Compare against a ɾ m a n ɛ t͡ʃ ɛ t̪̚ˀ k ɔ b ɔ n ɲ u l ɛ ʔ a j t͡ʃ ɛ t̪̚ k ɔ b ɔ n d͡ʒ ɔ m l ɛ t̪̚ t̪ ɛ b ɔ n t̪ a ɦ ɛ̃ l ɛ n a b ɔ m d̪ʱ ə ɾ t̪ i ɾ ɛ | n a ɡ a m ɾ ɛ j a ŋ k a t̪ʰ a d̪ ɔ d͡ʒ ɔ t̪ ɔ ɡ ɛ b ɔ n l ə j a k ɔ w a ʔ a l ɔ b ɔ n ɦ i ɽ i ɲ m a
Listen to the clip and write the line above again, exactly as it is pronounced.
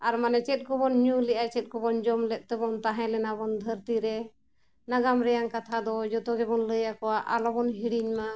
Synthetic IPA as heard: a ɾ m a n ɛ t͡ʃ ɛ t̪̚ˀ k ɔ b ɔ n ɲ u l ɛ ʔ a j t͡ʃ ɛ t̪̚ k ɔ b ɔ n d͡ʒ ɔ m l ɛ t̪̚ t̪ ɛ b ɔ n t̪ a ɦ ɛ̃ l ɛ n a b ɔ n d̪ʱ ə ɾ t̪ i ɾ ɛ | n a ɡ a m ɾ ɛ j a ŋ k a t̪ʰ a d̪ ɔ d͡ʒ ɔ t̪ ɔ ɡ ɛ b ɔ n l ə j a k ɔ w a ʔ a l ɔ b ɔ n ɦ i ɽ i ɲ m a

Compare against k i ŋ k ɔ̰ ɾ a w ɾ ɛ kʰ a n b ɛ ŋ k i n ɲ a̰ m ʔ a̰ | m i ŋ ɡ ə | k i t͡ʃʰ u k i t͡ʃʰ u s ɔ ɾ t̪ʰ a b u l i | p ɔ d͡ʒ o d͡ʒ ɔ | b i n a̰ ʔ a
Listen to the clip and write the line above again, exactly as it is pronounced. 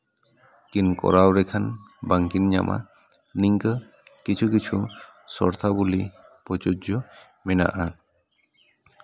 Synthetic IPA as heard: k i n k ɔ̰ ɾ a w ɾ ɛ kʰ a n b a ŋ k i n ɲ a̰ m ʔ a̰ | n i ŋ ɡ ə | k i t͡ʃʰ u k i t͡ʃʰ u s ɔ ɾ t̪ʰ a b u l i | p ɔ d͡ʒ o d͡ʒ ɔ | m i n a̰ ʔ a

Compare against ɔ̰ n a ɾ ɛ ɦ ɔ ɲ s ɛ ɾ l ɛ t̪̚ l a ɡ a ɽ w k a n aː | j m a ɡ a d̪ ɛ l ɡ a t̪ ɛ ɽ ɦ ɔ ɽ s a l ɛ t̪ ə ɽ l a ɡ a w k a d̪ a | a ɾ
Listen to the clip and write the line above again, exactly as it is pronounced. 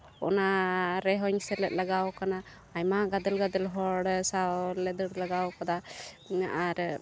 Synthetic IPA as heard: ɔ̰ n a ɾ ɛ ɦ ɔ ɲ s ɛ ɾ l ɛ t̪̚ l a ɡ a w k a n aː | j m a ɡ a d̪ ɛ l ɡ a d̪ ɛ l ɦ ɔ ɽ s a l ɛ d̪ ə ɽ l a ɡ a w k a d̪ a | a ɾ

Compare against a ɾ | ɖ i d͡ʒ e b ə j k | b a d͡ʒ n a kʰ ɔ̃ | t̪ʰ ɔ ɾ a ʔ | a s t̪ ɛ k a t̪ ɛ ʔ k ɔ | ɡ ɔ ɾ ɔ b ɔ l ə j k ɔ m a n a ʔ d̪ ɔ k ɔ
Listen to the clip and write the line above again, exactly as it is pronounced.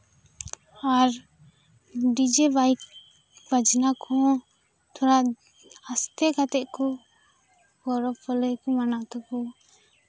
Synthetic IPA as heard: a ɾ | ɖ i d͡ʒ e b a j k | b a d͡ʒ n a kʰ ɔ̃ | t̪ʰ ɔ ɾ a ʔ | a s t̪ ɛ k a t̪ ɛ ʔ k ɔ | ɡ ɔ ɾ ɔ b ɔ l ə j k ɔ m a n a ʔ t̪ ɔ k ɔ

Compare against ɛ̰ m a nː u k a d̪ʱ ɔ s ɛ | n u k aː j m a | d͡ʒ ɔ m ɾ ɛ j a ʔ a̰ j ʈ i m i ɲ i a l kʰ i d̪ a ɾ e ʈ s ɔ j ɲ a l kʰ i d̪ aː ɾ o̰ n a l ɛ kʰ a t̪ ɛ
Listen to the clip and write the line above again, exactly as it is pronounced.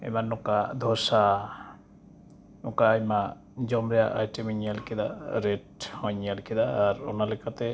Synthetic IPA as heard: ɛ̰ m a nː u k a d̪ʱ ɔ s a | n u k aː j m a | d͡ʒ ɔ m ɾ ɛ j a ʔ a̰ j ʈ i m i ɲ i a l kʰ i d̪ a ɾ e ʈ h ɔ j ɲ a l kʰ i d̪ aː ɾ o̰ n a l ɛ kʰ a t̪ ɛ

